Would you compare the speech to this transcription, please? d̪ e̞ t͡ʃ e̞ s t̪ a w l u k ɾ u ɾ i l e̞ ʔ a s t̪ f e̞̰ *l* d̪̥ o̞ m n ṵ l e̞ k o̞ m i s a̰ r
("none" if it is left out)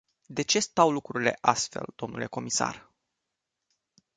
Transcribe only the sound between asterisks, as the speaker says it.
l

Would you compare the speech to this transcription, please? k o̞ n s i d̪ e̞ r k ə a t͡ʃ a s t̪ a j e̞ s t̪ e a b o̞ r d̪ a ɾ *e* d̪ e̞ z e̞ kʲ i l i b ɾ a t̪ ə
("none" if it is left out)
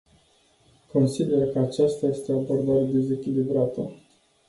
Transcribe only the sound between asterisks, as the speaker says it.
e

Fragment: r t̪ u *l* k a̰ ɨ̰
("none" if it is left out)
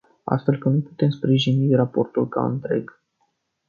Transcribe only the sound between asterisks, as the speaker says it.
l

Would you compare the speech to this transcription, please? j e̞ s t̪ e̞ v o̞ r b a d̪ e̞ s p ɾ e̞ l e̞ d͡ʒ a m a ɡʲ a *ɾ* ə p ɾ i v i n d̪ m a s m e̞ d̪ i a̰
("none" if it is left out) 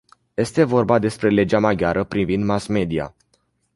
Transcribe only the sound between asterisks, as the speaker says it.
ɾ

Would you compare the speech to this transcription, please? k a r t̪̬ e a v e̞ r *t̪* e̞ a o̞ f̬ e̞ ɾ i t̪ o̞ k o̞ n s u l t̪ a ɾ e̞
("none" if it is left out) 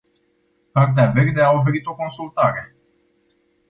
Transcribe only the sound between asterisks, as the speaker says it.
d̪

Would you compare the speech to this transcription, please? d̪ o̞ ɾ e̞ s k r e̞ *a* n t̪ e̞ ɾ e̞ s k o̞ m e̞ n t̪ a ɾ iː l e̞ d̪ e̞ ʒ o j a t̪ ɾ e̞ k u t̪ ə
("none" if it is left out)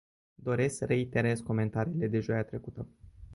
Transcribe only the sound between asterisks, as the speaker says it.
i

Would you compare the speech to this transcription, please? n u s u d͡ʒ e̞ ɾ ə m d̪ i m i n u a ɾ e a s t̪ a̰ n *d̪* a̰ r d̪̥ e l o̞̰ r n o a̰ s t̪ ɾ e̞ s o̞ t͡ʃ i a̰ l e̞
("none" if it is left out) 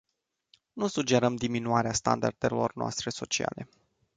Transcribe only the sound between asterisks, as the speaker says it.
d̪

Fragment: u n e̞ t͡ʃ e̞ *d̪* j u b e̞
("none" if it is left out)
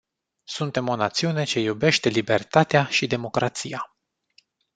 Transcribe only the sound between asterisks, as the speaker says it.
none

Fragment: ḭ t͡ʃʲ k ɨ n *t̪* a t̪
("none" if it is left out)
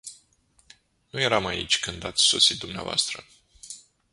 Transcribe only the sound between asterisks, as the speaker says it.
d̪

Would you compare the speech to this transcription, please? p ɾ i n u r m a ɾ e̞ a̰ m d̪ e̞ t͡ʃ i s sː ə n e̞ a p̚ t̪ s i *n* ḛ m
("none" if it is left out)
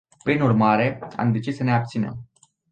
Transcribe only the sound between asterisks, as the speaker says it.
n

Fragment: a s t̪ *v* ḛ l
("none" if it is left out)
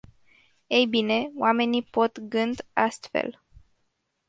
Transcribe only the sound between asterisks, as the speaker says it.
f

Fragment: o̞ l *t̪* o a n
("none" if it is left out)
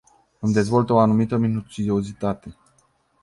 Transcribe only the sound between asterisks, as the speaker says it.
t̪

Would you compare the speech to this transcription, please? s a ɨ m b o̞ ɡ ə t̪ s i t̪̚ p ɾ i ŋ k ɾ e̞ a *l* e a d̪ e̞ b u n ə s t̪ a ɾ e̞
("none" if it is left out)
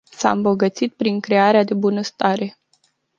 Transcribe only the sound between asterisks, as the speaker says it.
ɾ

